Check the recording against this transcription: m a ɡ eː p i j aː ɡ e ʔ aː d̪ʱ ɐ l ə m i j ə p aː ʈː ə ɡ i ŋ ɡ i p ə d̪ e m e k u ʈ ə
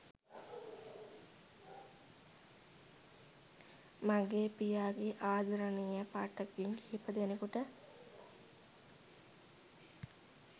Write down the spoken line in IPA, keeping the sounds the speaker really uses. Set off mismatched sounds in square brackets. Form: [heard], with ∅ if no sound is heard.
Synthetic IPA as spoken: m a ɡ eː p i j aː ɡ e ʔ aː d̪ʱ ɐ [ɾ] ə [n] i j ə p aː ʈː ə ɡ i ŋ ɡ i p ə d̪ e [n] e k u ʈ ə